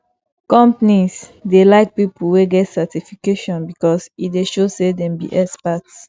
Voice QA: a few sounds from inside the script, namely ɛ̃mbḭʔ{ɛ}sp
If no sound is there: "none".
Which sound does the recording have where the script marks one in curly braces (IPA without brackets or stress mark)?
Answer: ɛ